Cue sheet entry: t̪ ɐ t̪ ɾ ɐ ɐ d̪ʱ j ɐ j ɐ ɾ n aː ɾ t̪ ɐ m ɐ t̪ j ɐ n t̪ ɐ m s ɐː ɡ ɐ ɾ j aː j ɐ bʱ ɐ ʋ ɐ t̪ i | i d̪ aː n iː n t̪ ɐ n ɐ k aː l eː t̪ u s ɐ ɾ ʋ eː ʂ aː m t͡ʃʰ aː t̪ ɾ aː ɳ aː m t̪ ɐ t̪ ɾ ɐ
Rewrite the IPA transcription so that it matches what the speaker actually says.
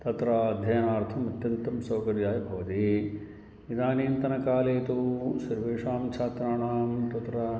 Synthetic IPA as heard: t̪ ɐ t̪ ɾ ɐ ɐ d̪ʱ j ɐ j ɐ n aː ɾ t̪ʰ ɐ m ɐ t̪ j ɐ n t̪ ɐ m s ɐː k ɐ ɾ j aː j ɐ bʱ ɐ ʋ ɐ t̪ i | i d̪ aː n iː n t̪ ɐ n ɐ k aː l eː t̪ u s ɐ ɾ ʋ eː ʂ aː m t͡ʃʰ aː t̪ ɾ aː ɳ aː m t̪ ɐ t̪ ɾ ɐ